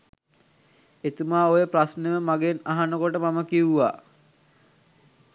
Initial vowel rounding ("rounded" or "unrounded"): unrounded